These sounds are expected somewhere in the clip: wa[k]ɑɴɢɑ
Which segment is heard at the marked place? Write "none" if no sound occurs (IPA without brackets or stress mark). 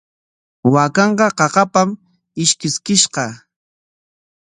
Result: k